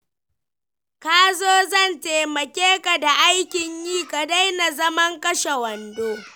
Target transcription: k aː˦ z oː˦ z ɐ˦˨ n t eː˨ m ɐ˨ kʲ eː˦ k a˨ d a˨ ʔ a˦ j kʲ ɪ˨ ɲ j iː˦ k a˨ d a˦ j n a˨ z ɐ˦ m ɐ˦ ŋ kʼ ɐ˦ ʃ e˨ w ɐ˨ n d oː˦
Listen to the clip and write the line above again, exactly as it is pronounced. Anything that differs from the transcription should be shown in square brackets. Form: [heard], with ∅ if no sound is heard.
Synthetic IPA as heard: k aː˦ z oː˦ z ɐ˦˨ n t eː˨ m ɐ˨ kʲ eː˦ k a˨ d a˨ ʔ a˦ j kʲ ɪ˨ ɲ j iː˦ k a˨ d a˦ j n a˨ z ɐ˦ m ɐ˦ ŋ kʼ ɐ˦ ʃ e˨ w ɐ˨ n d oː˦